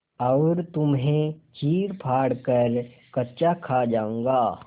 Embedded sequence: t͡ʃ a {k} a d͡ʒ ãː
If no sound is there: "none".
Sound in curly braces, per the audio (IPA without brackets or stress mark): kʰ